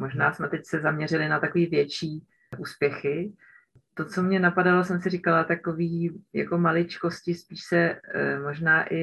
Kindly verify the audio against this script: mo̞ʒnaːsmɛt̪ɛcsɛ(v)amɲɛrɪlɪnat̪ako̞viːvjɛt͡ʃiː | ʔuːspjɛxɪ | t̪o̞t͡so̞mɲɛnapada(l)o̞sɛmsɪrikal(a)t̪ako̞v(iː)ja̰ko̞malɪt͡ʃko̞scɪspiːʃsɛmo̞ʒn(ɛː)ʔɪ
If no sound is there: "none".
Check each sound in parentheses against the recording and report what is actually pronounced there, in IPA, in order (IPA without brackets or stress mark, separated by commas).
z, l, a, iː, aː